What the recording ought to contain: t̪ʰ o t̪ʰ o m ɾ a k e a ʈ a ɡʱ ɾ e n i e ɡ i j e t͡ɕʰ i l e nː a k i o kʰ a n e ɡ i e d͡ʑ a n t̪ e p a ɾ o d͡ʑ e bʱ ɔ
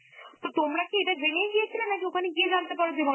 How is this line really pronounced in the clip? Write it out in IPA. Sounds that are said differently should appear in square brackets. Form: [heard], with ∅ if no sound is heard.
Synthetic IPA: [t̪] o [t̪] o m ɾ a k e [e] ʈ a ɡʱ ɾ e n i e ɡ i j e t͡ɕʰ i l e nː a k i o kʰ a n e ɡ i e d͡ʑ a n t̪ e p a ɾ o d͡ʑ e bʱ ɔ